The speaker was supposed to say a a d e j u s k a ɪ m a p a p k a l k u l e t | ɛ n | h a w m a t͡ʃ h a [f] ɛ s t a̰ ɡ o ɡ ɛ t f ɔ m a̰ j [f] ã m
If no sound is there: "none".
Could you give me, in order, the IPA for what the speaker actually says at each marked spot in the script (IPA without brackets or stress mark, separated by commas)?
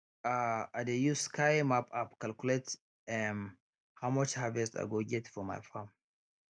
v, f